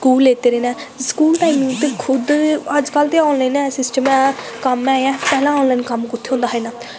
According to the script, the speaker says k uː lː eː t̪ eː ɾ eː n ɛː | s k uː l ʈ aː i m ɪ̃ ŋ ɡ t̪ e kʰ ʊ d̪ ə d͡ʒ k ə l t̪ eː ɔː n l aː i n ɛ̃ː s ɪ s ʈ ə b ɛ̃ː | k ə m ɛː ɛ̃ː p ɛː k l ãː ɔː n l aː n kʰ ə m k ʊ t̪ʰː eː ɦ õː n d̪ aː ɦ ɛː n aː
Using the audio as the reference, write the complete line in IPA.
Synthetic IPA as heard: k uː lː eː t̪ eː ɾ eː n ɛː | s k uː l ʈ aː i m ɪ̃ ŋ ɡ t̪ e kʰ ʊ d̪ ə d͡ʒ k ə l t̪ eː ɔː n l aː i n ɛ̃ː s ɪ s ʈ ə m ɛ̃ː | k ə m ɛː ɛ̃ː p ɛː l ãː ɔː n l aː n k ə m k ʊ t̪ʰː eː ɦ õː n d̪ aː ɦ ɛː n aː